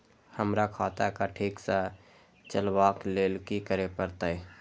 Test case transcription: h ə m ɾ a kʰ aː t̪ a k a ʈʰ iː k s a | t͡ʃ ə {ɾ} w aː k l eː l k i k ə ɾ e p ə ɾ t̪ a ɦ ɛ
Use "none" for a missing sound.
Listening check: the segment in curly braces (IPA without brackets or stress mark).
l